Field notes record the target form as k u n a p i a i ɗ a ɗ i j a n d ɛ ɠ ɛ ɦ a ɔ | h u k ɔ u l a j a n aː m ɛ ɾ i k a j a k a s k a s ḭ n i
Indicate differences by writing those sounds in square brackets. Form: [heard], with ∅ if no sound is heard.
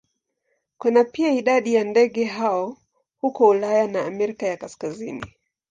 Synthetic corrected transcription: k u n a p i a i ɗ a ɗ i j a n d ɛ ɠ ɛ ɦ a ɔ | h u k ɔ u l a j a n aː m ɛ ɾ i k a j a k a s k a [z] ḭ n i

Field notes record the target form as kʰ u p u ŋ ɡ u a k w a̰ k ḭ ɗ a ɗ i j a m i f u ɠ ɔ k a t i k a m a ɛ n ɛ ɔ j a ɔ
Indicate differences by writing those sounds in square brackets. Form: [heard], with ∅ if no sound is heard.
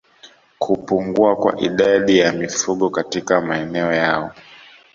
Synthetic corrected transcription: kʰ u p u ŋ ɡ u a k w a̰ [ʔ] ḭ ɗ a ɗ i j a m i f u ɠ ɔ k a t i k a m a ɛ n ɛ ɔ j a ɔ

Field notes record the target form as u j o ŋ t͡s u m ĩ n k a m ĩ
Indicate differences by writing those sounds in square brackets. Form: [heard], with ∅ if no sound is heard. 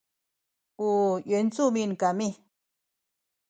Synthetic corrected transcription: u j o [n] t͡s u m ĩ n k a m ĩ

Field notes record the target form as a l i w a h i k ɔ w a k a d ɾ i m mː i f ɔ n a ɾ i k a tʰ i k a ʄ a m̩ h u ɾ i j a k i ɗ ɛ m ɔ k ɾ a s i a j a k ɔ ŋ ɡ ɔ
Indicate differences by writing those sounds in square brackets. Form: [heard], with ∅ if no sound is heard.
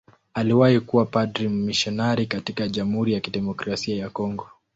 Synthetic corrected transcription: a l i w a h i k [u] w a [p] a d ɾ i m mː i [ʃ] ɔ n a ɾ i k a [t] i k a ʄ a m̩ h u ɾ i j a k i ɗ ɛ m ɔ k ɾ a s i a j a k ɔ ŋ ɡ ɔ

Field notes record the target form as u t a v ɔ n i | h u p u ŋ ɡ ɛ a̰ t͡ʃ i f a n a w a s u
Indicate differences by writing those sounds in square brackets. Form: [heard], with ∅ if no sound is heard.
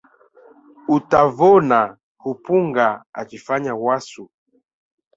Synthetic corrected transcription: u t a v ɔ n [a] | h u p u ŋ ɡ [a] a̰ t͡ʃ i f a [ɲ] a w a s u

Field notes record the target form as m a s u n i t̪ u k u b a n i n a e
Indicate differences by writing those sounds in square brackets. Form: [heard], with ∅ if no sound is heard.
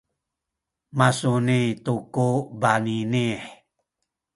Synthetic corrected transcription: m a s u n i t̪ u k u b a n i n [i] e

